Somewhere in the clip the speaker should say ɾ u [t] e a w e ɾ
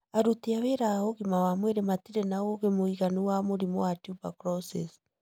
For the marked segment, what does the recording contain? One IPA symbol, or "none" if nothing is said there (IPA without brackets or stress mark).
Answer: t